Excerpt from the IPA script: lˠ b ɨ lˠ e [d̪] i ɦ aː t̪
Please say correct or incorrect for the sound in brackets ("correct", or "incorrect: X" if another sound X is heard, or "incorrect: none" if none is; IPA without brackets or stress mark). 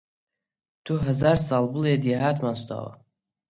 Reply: correct